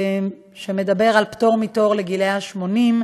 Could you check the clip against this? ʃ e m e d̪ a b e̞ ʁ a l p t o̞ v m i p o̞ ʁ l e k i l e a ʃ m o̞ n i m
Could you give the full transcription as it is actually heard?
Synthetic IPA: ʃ e m e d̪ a b e̞ ʁ a l p t o̞ ʁ m i t o̞ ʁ l e ɡ i l e a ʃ m o̞ n i m